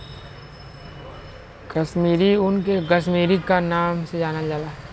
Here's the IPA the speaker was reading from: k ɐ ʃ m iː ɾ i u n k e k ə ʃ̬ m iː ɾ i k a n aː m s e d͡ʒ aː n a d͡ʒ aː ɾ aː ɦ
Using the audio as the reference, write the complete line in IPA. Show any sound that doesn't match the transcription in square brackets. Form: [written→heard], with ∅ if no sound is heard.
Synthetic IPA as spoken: k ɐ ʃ m iː ɾ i [u→ʊ] n k e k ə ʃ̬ m iː ɾ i k a n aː m s e d͡ʒ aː n a d͡ʒ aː [ɾ→l] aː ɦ